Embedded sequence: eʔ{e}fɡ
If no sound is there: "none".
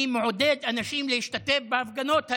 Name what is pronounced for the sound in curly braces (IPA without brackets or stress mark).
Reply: a